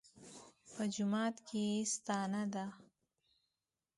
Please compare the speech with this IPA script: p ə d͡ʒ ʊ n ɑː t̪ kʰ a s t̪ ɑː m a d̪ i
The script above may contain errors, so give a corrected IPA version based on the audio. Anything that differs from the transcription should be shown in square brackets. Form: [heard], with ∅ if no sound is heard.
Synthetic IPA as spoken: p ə d͡ʒ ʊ [m] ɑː t̪ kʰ [e] s t̪ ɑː [n] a d̪ [a]